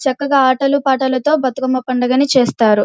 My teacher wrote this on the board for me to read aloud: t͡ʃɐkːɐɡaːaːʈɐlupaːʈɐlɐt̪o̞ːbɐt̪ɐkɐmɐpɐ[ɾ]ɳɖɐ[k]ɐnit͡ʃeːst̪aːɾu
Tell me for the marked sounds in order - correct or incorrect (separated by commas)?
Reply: incorrect, incorrect